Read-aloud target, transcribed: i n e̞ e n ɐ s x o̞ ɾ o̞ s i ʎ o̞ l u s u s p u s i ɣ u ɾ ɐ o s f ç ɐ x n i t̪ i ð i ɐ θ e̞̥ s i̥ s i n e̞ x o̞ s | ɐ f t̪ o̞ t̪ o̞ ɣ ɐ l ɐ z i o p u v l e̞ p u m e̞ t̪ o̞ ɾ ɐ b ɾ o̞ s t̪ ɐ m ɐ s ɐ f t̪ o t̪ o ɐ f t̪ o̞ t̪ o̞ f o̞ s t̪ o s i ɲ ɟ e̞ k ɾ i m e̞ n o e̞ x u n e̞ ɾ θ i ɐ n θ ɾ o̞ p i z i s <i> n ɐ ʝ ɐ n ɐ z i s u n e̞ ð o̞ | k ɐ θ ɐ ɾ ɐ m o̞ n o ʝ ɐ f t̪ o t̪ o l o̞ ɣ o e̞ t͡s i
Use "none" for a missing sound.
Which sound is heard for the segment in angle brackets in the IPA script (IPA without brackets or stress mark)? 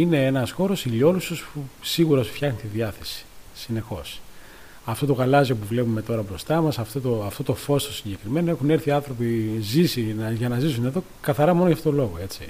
i